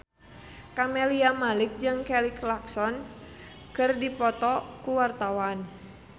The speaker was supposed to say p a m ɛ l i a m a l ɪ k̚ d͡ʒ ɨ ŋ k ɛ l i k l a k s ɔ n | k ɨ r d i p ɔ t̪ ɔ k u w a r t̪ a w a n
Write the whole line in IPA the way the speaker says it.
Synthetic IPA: k a m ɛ l i a m a l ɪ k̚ d͡ʒ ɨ ŋ k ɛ l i k l a k s ɔ n | k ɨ r d i p ɔ t̪ ɔ k u w a r t̪ a w a n